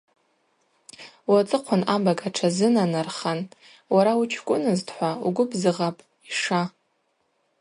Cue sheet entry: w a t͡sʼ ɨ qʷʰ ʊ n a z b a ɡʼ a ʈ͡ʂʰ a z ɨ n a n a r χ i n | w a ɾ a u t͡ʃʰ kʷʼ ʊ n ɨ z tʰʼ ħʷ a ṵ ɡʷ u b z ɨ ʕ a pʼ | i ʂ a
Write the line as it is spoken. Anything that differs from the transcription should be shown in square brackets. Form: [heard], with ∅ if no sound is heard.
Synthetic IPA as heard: w a t͡sʼ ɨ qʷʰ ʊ n a [∅] b a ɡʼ a ʈ͡ʂʰ a z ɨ n a n a r χ [a] n | w a ɾ a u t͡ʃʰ kʷʼ ʊ n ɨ z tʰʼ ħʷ a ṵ ɡʷ [ʊ] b z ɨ [ʁ] a pʼ | i ʂ a